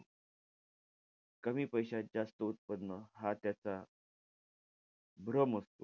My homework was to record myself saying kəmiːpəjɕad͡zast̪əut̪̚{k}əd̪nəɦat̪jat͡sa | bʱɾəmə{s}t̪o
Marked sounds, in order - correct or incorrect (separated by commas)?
incorrect, correct